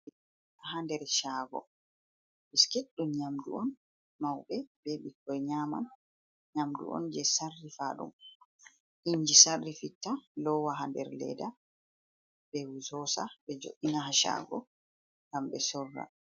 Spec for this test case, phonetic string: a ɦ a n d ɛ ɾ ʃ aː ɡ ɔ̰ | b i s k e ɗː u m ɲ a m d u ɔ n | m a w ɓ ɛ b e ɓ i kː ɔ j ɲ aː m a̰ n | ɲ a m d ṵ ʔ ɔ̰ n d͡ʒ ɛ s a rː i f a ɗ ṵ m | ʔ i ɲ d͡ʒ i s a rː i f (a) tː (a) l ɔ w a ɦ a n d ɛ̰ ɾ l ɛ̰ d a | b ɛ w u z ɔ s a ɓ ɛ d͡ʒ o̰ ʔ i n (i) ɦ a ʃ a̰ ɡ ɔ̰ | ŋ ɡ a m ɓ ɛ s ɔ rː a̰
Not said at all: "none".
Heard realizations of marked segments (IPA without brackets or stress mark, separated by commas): i, a, a